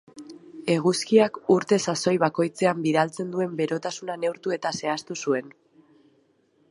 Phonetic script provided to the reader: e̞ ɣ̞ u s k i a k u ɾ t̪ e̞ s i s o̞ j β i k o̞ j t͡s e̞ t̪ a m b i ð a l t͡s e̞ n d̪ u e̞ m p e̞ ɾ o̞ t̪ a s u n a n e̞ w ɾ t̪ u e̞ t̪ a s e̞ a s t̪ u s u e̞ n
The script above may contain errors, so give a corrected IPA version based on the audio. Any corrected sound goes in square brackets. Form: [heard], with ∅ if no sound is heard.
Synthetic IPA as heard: e̞ ɣ̞ u s k i a k u ɾ t̪ e̞ s [a] s o̞ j β [a] k o̞ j t͡s e̞ [∅] a m b i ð a l t͡s e̞ n d̪ u e̞ m [b] e̞ ɾ o̞ t̪ a s u n a n e̞ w ɾ t̪ u e̞ t̪ a s e̞ a s t̪ u s u e̞ n